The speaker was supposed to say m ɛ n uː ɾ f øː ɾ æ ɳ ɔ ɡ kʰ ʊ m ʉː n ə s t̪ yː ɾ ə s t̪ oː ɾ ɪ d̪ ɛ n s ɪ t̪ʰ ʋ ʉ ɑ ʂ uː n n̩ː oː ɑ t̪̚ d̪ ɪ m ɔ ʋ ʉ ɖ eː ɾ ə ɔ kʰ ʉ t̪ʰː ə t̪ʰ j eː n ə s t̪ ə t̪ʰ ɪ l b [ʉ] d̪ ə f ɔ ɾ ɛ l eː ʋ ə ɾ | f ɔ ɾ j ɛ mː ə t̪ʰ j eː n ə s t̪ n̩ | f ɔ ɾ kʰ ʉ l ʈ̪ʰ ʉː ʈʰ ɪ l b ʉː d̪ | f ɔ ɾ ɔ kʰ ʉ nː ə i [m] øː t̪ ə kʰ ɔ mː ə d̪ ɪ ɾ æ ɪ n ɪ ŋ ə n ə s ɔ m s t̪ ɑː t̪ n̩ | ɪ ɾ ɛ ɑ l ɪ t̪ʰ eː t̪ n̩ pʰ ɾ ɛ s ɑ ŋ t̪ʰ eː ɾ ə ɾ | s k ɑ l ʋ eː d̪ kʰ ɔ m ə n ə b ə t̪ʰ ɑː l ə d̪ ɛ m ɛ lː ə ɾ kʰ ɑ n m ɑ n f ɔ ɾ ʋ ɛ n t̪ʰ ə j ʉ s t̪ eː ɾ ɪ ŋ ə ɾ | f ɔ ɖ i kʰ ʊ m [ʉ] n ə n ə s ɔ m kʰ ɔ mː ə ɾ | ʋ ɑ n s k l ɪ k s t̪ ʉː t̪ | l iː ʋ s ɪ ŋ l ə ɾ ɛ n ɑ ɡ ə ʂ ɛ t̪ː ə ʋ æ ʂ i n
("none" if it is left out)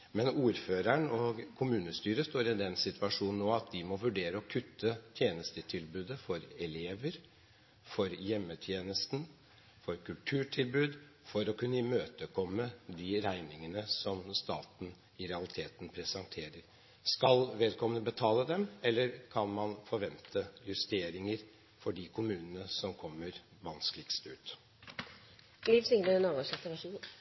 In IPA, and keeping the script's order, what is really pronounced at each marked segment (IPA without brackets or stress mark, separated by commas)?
ʉː, m, ʉː